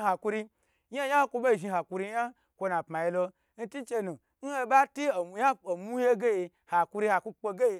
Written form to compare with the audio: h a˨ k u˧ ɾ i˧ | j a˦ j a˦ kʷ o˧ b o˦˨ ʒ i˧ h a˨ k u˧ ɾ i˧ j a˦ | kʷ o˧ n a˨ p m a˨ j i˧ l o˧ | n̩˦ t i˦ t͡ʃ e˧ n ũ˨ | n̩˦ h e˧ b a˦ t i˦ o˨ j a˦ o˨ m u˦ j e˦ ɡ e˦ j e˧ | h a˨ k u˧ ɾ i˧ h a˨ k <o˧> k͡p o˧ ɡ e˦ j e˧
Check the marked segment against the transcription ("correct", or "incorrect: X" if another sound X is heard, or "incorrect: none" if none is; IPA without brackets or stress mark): incorrect: u˧